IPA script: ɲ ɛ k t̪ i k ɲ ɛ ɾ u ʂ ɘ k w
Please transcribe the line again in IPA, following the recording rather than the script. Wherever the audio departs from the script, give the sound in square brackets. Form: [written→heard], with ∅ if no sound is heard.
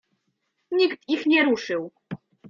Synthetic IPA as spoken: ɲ [ɛ→i] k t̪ i [k→x] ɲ ɛ ɾ u ʂ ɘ [k→∅] w